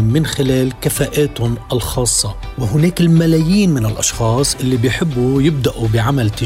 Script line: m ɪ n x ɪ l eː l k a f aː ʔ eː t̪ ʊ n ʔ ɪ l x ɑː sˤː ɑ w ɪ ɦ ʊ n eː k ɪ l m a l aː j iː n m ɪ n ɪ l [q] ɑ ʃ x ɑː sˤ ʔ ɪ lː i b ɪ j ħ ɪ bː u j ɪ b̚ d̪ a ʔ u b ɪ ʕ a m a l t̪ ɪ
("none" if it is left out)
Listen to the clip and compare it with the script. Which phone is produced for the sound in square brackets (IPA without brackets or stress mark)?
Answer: ʔ